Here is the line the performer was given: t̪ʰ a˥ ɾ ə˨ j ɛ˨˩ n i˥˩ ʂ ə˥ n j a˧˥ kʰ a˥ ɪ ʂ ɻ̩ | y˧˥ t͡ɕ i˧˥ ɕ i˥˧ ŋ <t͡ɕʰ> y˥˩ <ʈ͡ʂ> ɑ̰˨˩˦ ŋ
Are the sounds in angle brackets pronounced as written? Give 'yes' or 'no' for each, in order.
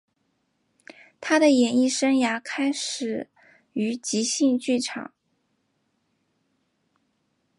no, no

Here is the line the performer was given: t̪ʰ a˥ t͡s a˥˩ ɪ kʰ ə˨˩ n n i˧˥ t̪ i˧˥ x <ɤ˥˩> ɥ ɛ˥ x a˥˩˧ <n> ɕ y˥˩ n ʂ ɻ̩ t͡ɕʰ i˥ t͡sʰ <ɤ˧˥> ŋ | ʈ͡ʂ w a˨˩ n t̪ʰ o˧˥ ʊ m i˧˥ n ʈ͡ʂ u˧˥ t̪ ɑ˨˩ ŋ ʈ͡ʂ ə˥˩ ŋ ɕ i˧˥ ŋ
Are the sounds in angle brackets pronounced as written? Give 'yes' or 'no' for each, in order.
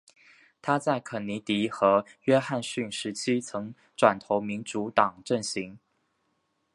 no, yes, yes

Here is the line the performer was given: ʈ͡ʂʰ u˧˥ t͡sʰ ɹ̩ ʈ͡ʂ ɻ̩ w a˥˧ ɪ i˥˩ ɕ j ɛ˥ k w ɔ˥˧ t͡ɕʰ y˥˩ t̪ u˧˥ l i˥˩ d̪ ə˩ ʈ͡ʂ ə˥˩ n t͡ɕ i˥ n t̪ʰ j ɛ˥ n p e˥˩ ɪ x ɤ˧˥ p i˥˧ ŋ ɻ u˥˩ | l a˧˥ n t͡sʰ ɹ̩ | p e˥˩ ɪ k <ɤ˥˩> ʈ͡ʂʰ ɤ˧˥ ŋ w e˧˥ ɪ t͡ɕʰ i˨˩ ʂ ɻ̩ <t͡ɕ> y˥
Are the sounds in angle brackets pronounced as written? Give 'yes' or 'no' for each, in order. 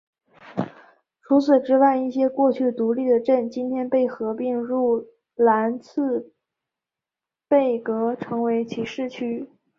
no, no

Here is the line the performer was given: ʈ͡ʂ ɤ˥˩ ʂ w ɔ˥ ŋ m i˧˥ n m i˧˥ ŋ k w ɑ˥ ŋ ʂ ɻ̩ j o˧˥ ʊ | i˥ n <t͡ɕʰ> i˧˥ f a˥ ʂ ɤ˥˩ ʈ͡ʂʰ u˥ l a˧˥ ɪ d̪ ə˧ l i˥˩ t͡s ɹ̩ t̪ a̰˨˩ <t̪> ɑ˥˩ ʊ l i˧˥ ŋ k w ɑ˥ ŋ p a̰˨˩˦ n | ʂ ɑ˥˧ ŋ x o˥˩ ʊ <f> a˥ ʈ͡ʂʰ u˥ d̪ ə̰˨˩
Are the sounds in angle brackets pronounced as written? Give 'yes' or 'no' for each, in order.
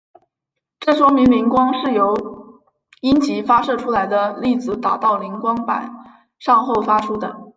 no, yes, yes

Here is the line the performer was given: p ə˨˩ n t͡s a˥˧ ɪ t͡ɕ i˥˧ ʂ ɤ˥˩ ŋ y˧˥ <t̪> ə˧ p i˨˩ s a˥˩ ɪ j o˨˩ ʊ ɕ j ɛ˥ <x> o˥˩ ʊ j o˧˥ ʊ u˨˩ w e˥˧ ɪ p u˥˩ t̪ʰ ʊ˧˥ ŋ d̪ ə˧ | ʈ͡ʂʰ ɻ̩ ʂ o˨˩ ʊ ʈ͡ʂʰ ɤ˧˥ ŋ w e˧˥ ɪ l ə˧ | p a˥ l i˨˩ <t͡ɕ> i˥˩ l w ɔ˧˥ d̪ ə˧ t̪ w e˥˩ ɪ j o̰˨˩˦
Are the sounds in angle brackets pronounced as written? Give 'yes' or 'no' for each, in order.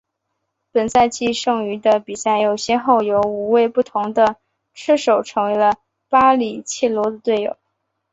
no, yes, no

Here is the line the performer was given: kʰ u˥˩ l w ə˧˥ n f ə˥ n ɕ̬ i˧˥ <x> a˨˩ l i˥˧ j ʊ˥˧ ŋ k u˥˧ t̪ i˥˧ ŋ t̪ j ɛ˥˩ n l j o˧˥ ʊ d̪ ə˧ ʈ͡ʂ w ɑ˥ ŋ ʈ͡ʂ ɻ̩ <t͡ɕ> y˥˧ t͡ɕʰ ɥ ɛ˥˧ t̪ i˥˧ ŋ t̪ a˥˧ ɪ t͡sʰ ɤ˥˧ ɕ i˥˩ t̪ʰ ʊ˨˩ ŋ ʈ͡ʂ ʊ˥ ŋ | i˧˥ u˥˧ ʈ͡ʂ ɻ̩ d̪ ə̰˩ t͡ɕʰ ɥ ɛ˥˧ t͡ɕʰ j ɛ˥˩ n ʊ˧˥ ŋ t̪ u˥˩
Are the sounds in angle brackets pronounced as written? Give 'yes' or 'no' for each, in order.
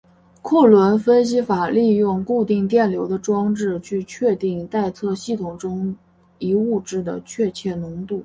no, no

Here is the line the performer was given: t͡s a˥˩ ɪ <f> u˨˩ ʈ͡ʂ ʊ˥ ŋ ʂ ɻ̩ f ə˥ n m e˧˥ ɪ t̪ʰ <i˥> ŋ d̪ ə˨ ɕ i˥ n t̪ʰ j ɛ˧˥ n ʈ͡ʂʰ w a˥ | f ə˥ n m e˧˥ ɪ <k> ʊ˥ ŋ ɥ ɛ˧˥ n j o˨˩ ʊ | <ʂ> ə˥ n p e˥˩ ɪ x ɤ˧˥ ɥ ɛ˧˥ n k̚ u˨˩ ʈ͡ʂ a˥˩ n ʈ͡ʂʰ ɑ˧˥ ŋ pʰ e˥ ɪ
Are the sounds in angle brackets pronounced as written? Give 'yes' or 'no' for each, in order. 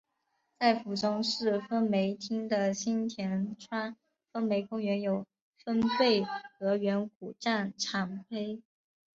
yes, yes, yes, no

